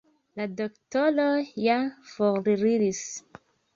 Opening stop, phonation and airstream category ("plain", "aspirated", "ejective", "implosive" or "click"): plain